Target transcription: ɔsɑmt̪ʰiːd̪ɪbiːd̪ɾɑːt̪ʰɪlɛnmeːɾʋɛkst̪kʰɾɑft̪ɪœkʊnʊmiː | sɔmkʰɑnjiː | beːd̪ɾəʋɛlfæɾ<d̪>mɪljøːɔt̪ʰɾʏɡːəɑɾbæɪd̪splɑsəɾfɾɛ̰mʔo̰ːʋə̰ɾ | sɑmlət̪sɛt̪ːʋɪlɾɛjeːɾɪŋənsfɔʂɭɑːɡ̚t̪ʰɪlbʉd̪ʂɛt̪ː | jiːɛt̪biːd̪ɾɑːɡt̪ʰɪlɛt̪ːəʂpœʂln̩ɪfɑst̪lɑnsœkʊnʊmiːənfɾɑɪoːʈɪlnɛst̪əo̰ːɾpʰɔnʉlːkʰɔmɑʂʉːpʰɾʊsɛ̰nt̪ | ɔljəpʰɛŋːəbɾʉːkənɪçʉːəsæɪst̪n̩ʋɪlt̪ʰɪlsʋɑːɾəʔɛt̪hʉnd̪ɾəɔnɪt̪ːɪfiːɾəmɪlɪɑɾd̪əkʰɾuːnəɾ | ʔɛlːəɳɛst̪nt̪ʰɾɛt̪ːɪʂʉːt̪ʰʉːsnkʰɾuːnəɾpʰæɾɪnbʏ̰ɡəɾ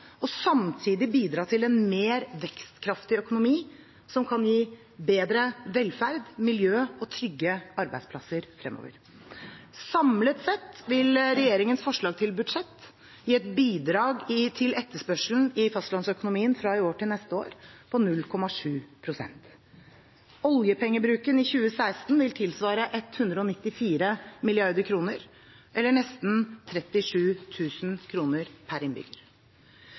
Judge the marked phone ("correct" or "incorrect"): correct